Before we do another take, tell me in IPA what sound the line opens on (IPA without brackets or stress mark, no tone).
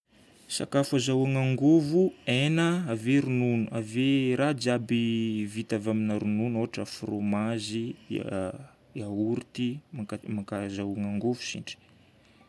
s